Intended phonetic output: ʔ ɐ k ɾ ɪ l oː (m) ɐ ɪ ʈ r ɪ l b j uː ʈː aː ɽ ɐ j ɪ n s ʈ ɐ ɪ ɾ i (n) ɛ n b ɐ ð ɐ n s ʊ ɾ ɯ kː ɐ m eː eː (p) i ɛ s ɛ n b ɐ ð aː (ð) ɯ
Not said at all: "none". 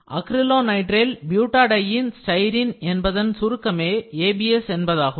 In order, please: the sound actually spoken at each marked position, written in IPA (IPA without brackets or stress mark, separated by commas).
n, n, b, ɣ